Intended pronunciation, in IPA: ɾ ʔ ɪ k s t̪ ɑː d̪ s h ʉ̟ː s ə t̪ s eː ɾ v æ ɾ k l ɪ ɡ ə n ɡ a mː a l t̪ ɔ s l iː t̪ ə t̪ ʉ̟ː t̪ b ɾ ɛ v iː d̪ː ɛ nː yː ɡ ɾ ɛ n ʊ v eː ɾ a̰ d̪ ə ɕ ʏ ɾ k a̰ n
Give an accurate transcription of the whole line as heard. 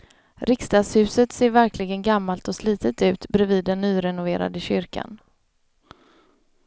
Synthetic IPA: ɾ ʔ ɪ k s t̪ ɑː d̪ s h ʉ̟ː s ə t̪ s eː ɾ v æ ɾ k l ɪ ɡ ə n ɡ a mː a l t̪ ɔ s l iː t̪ ə t̪ ʉ̟ː t̪ b ɾ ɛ v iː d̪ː ɛ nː yː ɾ ɛ n ʊ v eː ɾ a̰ d̪ ə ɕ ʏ ɾ k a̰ n